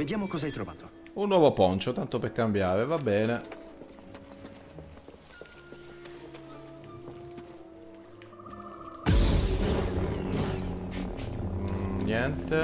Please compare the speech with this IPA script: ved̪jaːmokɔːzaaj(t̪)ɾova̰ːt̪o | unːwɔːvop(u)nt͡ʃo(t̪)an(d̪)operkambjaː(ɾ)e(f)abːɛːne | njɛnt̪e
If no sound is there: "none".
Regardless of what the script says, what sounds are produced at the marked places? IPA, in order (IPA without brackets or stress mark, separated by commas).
t̪, ɔ, t̪, t̪, ɾ, v